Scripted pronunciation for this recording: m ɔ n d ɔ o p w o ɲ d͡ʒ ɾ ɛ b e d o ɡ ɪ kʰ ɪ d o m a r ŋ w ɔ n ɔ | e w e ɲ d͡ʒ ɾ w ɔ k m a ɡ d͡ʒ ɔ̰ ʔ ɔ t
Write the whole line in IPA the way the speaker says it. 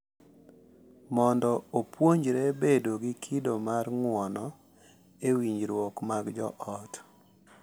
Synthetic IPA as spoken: m ɔ n d ɔ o p w o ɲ d͡ʒ ɾ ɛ b e d o ɡ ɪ kʰ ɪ d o m a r ŋ w ɔ n ɔ | e w i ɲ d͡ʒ ɾ w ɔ k m a ɡ d͡ʒ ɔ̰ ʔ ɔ t